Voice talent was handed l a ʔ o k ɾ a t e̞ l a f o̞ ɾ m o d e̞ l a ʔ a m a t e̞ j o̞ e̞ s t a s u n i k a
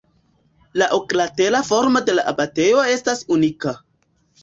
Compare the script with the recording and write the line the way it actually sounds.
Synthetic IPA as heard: l a ʔ o k l a t e̞ l a f o̞ ɾ m o d e̞ l a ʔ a b a t e̞ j o̞ e̞ s t a s u n i k a